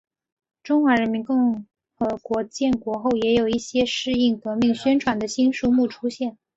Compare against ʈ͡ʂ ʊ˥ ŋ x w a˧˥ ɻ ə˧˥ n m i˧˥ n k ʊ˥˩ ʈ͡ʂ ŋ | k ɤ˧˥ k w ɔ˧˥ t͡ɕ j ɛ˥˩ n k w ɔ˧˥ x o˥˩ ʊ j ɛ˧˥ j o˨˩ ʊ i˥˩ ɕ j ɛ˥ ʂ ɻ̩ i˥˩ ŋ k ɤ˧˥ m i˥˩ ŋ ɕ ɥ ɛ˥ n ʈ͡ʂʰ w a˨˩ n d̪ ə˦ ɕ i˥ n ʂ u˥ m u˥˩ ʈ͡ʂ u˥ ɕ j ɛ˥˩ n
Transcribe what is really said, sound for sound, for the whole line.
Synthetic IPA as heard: ʈ͡ʂ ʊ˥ ŋ x w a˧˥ ɻ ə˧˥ n m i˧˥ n k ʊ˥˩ ŋ | x ɤ˧˥ k w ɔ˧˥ t͡ɕ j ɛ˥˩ n k w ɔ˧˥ x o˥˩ ʊ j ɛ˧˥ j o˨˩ ʊ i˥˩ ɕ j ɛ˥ ʂ ɻ̩ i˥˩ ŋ k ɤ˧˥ m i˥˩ ŋ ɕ ɥ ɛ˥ n ʈ͡ʂʰ w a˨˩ n d̪ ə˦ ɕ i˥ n ʂ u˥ m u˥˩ ʈ͡ʂʰ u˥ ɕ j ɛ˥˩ n

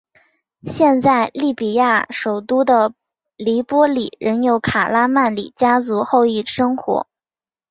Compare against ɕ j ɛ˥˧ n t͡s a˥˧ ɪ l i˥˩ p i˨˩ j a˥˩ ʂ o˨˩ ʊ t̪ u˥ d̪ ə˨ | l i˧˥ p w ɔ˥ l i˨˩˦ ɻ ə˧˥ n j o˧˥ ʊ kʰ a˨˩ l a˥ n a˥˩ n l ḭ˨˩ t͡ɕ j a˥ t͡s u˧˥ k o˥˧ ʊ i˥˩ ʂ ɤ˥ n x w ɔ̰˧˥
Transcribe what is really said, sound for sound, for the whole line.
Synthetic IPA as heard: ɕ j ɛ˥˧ n t͡s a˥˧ ɪ l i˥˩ p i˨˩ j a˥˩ ʂ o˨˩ ʊ t̪ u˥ d̪ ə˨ | l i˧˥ p w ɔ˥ l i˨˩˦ ɻ ə˧˥ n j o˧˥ ʊ kʰ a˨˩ l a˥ m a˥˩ n l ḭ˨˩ t͡ɕ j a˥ t͡s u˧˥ x o˥˧ ʊ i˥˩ ʂ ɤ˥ ŋ x w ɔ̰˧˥

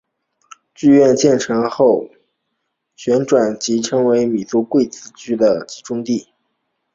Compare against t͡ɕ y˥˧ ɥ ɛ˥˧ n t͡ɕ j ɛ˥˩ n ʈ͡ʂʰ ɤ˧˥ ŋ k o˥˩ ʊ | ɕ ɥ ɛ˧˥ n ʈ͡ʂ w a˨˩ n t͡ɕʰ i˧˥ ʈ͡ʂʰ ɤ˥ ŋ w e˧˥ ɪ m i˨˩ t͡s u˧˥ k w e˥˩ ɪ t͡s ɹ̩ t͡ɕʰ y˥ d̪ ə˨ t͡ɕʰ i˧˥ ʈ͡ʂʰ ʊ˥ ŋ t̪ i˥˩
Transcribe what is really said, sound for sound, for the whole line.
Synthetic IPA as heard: t͡ɕ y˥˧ ɥ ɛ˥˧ n t͡ɕ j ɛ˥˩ n ʈ͡ʂʰ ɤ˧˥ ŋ x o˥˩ ʊ | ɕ ɥ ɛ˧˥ n ʈ͡ʂ w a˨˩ n t͡ɕ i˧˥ ʈ͡ʂʰ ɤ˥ ŋ w e˧˥ ɪ m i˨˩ t͡s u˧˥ k w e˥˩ ɪ t͡s ɹ̩ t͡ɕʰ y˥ d̪ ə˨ t͡ɕ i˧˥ ʈ͡ʂ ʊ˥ ŋ t̪ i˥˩

